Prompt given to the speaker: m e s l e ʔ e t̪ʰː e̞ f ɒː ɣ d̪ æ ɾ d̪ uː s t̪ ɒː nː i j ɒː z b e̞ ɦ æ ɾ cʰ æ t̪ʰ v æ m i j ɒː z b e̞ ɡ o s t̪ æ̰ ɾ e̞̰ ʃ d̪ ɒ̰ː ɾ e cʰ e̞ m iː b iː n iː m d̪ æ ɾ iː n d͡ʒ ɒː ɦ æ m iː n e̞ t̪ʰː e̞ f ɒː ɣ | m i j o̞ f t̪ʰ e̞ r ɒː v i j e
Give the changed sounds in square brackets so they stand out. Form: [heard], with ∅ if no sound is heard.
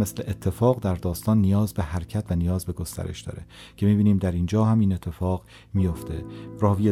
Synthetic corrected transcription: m e s l e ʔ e t̪ʰː e̞ f ɒː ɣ d̪ æ ɾ d̪ [ɒː] s t̪ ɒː nː i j ɒː z b e̞ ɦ æ ɾ cʰ æ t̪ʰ v æ [n] i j ɒː z b e̞ ɡ o s t̪ æ̰ ɾ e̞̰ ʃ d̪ ɒ̰ː ɾ e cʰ e̞ m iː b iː n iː m d̪ æ ɾ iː n d͡ʒ ɒː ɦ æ m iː n e̞ t̪ʰː e̞ f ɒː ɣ | m i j o̞ f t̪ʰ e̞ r ɒː v i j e